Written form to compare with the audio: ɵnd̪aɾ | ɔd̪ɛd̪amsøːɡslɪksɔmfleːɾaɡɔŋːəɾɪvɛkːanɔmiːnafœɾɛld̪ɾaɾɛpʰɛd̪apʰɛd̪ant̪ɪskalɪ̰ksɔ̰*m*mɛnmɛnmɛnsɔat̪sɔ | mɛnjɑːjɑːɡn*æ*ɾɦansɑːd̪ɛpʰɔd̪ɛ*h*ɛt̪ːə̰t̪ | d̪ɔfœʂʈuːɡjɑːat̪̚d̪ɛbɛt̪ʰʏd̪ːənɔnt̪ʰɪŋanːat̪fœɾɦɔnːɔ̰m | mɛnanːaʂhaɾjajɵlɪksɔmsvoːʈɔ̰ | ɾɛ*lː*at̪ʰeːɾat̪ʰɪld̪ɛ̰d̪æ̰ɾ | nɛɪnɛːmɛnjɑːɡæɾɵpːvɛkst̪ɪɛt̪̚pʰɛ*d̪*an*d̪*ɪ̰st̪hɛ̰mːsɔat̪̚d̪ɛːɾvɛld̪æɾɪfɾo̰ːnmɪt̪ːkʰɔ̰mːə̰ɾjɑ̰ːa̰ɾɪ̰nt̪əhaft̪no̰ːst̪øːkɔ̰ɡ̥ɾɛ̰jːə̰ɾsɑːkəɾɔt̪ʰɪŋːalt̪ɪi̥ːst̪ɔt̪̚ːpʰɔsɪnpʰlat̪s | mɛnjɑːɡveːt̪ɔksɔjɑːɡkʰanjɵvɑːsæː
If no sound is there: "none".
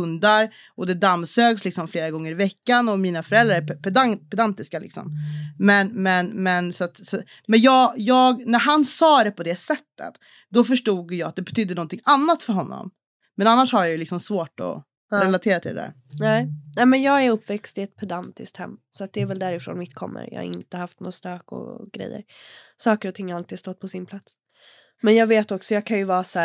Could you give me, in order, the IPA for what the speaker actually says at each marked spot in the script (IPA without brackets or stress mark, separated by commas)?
m, æ, s, l, d̪, t̪